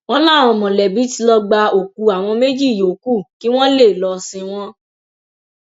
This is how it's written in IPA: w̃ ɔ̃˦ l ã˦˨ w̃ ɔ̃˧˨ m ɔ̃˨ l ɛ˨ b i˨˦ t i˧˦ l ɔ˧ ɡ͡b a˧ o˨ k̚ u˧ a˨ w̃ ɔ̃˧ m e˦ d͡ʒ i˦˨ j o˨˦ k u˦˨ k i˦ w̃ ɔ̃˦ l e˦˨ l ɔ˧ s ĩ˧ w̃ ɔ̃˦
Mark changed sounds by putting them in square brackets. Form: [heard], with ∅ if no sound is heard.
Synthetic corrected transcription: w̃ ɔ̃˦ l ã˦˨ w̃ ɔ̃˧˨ m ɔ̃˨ l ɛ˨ b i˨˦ t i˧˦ l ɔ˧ ɡ͡b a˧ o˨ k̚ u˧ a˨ w̃ ɔ̃˧ m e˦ d͡ʒ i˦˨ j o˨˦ k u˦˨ k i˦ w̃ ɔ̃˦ l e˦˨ l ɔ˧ s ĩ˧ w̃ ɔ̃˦